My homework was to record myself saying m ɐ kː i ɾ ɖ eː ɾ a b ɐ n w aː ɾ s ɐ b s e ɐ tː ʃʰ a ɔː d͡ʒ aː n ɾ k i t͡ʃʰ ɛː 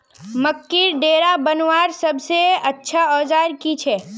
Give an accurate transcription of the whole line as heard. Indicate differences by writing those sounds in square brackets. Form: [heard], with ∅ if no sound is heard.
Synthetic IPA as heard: m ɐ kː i ɾ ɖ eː ɾ a b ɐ n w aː ɾ s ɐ b s e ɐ tː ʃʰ a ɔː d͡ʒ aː [∅] ɾ k i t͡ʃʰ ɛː